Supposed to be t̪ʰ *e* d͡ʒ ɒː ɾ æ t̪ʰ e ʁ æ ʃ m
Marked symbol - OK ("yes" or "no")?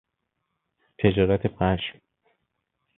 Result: yes